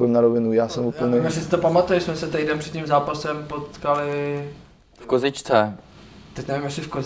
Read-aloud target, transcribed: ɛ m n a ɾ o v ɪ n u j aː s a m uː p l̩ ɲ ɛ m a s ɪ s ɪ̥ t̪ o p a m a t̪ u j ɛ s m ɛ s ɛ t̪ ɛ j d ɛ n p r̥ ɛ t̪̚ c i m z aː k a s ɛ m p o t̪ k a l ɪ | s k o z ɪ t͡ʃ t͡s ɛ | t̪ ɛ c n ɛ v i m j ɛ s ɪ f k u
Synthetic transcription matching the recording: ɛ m n a ɾ o v ɪ n u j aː s ɛ m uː p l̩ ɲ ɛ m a s ɪ s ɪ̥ t̪ o p a m a t̪ u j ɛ s m ɛ s ɛ t̪ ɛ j d ɛ n p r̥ ɛ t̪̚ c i m z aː p a s ɛ m p o t̪ k a l ɪ | f k o z ɪ t͡ʃ t͡s ɛ | t̪ ɛ c n ɛ v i m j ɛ s ɪ f k o